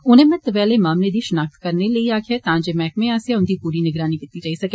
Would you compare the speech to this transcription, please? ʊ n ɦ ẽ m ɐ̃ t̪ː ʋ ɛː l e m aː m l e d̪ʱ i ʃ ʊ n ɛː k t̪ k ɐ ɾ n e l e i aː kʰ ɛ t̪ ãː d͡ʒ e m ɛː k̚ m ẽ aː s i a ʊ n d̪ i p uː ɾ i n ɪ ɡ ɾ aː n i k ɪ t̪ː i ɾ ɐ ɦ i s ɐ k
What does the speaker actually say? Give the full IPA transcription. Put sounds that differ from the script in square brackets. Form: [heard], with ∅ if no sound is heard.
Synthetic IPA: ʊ n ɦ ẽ m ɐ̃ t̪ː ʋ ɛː l e m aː m l e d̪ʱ i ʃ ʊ n [aː] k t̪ k ɐ ɾ n e l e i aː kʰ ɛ t̪ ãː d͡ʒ e m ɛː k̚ m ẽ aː s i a ʊ n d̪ i p uː ɾ i n ɪ ɡ ɾ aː n i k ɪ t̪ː i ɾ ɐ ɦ i s ɐ k